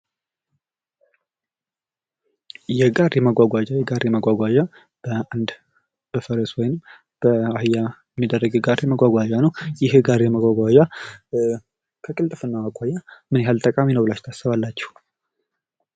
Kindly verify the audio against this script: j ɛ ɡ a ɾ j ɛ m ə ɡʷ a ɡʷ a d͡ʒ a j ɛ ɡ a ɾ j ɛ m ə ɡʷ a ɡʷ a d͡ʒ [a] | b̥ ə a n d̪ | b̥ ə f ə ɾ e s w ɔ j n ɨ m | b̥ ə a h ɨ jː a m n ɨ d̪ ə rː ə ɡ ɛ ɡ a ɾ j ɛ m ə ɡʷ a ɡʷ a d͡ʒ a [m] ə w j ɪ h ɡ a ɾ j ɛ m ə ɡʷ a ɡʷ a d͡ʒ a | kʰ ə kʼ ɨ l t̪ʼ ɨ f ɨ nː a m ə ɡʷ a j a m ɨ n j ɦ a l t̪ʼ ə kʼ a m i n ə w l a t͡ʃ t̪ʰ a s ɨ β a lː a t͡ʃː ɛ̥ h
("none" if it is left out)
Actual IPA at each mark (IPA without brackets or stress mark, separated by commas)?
a, n